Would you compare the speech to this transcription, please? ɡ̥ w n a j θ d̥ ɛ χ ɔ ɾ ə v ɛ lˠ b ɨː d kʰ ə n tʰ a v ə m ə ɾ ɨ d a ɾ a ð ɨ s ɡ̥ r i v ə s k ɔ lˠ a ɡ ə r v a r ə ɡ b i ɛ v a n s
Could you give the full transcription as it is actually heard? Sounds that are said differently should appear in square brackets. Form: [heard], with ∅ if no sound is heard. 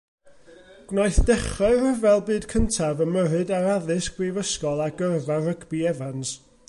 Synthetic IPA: ɡ̥ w n a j θ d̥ ɛ χ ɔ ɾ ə v ɛ lˠ b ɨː d kʰ ə n tʰ a v ə m ə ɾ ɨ d a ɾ a ð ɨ s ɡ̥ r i v ə s k ɔ lˠ a ɡ ə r v a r ə ɡ b i ɛ v a n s